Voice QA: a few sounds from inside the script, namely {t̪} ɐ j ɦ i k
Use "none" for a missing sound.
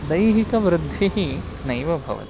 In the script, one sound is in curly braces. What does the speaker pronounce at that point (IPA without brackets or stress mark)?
d̪